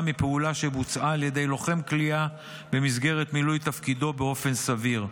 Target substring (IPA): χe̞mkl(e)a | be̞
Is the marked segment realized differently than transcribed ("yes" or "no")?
yes